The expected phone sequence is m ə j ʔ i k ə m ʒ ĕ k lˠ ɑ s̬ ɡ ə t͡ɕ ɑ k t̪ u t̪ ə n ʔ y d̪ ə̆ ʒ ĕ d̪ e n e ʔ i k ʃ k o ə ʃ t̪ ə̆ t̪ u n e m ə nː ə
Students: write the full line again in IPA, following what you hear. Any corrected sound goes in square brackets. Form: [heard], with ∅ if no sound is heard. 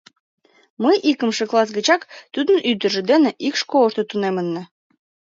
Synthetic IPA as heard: m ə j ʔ i k ə m [ʃ] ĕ k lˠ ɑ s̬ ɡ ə t͡ɕ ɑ k t̪ u [d̪] ə n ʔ y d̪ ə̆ ʒ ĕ d̪ e n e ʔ i k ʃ k o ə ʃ t̪ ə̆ t̪ u n e m ə nː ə